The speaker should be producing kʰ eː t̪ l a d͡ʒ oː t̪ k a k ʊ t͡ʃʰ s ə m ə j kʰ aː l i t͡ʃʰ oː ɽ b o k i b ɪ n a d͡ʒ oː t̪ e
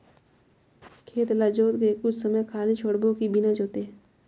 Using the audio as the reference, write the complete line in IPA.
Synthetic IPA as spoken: kʰ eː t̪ l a d͡ʒ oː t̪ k e k ʊ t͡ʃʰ s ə m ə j kʰ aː l i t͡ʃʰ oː ɽ b o k i b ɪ n a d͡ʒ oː t̪ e